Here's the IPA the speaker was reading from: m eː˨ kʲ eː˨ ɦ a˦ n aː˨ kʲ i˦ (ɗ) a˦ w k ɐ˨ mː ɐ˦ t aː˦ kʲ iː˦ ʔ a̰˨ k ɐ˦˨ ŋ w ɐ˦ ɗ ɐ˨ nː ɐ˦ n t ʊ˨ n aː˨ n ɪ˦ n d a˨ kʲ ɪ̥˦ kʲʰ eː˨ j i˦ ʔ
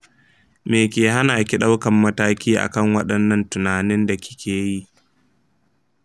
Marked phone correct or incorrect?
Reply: correct